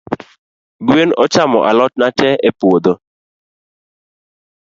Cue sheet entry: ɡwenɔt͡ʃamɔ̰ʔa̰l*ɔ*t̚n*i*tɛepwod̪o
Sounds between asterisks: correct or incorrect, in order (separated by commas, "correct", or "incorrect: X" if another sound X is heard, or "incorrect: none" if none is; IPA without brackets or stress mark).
correct, incorrect: a